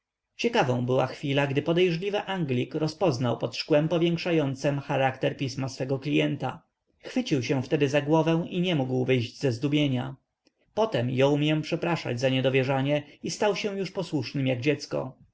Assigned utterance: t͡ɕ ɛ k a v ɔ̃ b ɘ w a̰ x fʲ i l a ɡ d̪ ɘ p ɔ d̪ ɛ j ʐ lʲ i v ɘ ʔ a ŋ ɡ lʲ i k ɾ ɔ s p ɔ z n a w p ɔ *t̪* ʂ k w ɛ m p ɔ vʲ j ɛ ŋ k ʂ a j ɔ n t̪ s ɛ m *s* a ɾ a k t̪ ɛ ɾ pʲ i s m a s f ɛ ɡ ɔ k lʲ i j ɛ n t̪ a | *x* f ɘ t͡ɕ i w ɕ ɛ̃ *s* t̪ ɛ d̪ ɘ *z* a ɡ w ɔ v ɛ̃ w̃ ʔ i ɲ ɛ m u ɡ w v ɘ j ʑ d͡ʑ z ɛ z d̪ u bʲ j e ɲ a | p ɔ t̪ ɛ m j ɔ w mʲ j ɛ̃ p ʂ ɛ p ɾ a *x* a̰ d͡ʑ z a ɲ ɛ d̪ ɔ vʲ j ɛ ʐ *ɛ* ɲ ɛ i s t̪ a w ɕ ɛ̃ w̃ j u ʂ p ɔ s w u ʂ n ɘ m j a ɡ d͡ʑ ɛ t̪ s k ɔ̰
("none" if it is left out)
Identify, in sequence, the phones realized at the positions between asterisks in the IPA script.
t̪, x, x, f, z, ʂ, a

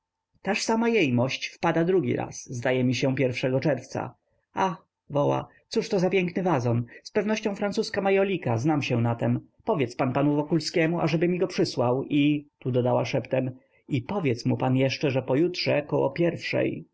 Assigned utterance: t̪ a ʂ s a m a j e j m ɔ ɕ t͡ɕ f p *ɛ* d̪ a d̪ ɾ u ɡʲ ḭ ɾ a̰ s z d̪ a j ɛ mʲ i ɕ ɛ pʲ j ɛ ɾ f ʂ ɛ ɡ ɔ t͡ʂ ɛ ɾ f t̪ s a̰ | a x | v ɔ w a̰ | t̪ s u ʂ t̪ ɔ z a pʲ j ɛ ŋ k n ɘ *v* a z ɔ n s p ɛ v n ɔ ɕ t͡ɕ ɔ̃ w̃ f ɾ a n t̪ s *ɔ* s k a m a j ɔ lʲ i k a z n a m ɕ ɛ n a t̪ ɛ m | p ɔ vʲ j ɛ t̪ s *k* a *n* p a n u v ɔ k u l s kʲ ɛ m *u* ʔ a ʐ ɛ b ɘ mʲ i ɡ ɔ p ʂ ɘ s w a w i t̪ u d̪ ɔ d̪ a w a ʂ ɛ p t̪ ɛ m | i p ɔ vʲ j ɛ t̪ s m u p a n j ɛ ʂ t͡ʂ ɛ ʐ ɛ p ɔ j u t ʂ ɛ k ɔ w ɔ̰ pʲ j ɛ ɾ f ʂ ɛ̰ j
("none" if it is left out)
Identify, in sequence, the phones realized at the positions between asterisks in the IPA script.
a, v, u, p, n, u

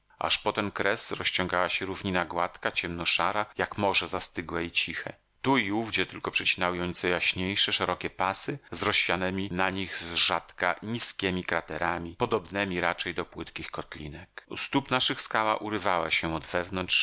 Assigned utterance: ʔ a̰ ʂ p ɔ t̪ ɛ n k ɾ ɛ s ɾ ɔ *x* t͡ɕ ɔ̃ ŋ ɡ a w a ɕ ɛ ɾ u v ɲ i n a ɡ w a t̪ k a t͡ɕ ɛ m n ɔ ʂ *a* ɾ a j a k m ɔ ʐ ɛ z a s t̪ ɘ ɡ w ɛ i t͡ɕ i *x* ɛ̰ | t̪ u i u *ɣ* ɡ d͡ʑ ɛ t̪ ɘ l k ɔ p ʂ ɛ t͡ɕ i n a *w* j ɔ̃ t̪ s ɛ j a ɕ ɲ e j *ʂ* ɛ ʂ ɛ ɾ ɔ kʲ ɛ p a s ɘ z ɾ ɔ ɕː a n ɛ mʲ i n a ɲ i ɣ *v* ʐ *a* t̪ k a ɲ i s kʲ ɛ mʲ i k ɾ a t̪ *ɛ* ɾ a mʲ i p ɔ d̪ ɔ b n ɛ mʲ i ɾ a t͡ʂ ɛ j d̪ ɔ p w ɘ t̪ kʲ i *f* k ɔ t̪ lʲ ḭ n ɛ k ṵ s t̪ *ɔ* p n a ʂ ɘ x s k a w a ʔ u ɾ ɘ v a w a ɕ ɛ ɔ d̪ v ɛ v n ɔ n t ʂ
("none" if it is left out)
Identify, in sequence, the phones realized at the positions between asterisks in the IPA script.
ɕ, a, x, v, w, ʂ, z, a, ɛ, x, u

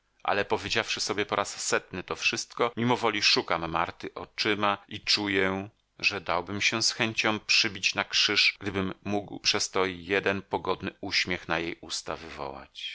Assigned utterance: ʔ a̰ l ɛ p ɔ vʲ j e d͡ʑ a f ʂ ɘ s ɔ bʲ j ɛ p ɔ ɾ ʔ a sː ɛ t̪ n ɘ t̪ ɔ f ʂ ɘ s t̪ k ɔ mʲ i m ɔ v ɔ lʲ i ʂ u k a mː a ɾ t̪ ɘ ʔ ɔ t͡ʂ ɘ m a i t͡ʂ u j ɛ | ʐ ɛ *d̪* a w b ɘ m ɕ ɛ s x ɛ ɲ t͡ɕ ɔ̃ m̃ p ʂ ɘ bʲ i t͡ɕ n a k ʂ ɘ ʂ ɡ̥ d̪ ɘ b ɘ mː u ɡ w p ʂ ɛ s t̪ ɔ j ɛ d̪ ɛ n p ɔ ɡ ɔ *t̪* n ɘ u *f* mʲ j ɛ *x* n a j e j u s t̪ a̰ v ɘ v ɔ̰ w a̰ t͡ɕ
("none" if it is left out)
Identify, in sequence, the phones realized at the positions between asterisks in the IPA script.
d̪, d̪, ɕ, x

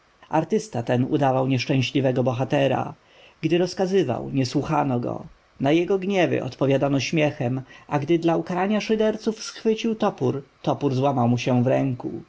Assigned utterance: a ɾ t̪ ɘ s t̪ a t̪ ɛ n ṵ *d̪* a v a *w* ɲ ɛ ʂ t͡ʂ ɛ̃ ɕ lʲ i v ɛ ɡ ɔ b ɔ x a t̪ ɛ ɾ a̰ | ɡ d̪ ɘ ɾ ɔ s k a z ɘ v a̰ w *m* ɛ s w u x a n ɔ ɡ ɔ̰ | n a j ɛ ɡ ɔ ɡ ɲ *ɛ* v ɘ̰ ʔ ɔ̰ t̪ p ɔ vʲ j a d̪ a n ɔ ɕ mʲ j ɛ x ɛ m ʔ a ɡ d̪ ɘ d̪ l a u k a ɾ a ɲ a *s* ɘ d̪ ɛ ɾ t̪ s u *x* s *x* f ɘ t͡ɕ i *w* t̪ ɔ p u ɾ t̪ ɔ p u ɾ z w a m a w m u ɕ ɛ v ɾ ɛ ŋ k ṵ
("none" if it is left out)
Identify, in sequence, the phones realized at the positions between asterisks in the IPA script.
d̪, w, ɲ, ɛ, ʂ, f, x, w

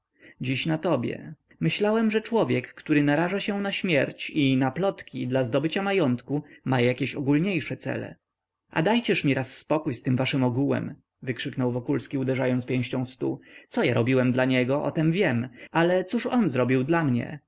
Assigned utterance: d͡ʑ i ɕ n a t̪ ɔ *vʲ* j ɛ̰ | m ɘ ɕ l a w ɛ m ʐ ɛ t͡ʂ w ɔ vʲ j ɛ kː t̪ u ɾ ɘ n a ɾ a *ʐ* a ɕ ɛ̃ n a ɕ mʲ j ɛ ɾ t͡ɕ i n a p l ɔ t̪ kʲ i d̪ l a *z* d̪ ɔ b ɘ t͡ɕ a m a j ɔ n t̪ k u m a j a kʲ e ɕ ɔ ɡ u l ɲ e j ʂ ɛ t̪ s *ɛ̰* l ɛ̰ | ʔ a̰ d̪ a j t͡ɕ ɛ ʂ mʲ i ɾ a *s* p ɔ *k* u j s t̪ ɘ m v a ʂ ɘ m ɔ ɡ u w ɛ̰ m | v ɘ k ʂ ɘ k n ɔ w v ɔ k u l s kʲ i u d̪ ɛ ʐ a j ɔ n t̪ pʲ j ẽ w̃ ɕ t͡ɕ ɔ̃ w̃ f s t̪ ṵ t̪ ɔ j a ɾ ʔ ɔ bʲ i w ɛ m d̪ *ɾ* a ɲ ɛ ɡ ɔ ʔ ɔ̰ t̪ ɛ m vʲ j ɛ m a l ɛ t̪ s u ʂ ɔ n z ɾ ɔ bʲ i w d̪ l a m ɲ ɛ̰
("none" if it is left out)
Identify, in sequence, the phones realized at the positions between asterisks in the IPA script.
bʲ, ʐ, z, ɛ̰, sː, k, l

